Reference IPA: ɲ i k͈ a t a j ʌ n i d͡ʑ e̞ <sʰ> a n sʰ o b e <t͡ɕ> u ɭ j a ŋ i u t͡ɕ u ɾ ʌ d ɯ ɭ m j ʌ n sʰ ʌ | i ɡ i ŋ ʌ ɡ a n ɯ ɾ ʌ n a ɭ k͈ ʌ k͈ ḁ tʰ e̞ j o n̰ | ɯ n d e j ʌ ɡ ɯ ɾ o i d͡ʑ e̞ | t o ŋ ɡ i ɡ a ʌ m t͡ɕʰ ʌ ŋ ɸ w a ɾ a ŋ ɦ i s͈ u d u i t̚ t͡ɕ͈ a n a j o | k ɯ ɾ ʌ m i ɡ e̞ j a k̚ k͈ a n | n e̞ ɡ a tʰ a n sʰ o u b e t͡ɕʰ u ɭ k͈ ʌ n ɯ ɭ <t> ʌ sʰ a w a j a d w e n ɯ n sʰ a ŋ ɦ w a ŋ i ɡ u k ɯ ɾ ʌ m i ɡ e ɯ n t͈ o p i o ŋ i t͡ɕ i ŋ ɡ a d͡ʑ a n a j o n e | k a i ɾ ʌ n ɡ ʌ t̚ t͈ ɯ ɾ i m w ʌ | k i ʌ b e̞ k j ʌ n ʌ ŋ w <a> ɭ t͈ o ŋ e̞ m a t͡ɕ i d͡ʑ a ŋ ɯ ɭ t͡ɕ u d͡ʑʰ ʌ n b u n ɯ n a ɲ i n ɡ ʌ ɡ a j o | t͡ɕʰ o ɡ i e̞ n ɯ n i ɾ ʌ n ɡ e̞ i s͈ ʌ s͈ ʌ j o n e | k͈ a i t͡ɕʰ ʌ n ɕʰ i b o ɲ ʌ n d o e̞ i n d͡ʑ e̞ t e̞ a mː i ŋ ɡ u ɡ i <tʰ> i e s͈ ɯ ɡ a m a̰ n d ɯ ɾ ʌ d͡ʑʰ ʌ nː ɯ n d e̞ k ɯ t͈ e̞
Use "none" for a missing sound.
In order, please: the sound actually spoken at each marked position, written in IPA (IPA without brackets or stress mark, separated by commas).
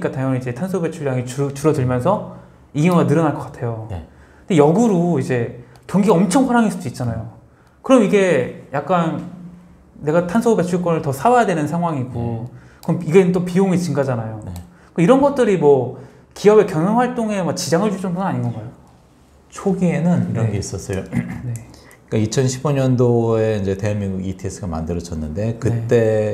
tʰ, t͡ɕʰ, t, a, tʰ